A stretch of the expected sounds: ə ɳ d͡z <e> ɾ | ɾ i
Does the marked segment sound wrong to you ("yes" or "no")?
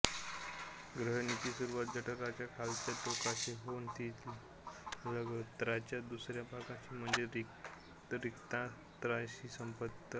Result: no